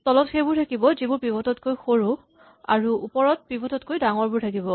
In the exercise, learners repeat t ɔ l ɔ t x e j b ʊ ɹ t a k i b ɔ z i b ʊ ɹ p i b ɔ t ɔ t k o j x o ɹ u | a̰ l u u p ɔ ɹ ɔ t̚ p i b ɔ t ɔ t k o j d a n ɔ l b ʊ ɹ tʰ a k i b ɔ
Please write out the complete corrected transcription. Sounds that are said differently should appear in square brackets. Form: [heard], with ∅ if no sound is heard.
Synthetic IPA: t ɔ l ɔ t x e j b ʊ ɹ [tʰ] a k i b ɔ z i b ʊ ɹ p i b ɔ t ɔ t k o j x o ɹ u | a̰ [ɹ] u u p ɔ ɹ ɔ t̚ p i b ɔ t ɔ t k o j d a [ŋ] ɔ [ɹ] b ʊ ɹ tʰ a k i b ɔ